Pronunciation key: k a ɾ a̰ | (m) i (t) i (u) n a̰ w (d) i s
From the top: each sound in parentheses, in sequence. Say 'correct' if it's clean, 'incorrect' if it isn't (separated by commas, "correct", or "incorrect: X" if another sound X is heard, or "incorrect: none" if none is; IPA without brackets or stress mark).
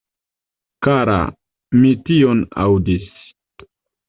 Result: correct, correct, incorrect: o, correct